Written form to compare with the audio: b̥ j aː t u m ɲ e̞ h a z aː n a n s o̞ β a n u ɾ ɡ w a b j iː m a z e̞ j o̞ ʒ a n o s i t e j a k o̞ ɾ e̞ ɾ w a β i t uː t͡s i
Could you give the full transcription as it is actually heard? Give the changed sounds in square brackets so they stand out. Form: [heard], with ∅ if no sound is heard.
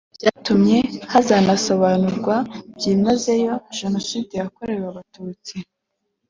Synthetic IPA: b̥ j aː t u m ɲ e̞ h a z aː n a [∅] s o̞ β a n u ɾ ɡ w a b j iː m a z e̞ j o̞ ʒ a n o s i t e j a k o̞ ɾ e̞ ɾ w a β [a] t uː t͡s i